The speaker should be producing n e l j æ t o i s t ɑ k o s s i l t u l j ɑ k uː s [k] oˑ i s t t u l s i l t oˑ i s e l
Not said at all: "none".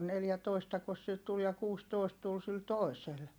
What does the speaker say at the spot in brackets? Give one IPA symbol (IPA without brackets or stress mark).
t